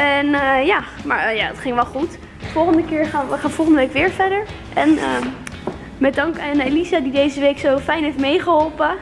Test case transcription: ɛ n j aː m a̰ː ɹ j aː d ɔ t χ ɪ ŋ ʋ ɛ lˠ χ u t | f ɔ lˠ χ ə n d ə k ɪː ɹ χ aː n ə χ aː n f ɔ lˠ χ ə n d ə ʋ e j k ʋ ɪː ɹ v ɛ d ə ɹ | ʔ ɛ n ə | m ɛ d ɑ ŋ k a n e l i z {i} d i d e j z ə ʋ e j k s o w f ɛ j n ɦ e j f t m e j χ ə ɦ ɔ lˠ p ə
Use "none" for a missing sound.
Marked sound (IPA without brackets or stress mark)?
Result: a